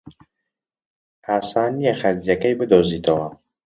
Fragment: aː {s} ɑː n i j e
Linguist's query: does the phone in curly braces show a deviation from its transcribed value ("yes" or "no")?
no